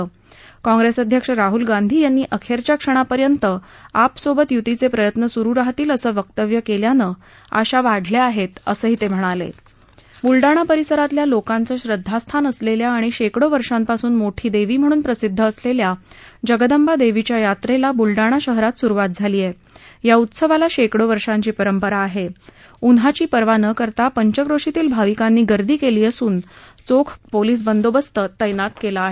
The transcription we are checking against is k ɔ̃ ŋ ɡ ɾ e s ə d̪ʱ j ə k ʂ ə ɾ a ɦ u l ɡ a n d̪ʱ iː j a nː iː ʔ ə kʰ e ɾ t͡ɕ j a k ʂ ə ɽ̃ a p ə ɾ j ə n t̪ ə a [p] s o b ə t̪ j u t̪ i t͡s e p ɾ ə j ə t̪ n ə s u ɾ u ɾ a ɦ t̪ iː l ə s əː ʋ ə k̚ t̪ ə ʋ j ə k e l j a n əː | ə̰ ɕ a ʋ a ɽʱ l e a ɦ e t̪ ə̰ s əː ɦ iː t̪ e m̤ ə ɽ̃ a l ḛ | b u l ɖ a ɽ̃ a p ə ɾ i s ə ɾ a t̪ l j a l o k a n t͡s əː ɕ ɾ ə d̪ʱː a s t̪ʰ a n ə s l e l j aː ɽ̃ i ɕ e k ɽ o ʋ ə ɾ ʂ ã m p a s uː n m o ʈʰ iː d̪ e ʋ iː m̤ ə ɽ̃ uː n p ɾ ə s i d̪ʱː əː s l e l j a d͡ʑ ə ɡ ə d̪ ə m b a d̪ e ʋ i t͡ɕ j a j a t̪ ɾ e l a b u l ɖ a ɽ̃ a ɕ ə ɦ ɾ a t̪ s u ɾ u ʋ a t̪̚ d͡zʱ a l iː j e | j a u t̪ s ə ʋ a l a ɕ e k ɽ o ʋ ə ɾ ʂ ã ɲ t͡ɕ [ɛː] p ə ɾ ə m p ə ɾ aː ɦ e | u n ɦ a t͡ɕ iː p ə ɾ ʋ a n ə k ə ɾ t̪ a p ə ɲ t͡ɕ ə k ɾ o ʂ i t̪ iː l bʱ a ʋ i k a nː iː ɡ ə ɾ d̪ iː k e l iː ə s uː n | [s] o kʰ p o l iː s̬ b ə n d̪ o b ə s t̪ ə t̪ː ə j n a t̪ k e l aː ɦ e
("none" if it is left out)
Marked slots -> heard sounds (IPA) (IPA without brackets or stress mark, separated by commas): p, iː, t͡s